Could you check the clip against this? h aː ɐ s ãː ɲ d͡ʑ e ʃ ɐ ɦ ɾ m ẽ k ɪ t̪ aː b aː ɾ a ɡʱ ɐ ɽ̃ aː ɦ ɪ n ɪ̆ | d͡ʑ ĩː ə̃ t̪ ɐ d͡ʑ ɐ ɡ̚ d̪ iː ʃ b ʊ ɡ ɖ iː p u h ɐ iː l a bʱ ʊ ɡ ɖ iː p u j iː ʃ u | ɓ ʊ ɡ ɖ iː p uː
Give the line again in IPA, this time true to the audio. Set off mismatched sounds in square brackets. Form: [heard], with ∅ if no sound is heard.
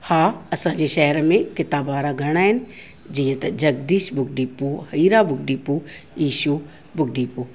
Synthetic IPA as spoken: h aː ɐ s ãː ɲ d͡ʑ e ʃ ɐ ɦ ɾ m ẽ k ɪ t̪ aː b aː ɾ a ɡʱ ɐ ɽ̃ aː ɦ ɪ n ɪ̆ | d͡ʑ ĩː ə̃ t̪ ɐ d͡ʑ ɐ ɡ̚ d̪ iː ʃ b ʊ ɡ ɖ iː p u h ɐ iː [ɾ] a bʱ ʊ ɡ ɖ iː p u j iː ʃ u | [b] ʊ ɡ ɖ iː p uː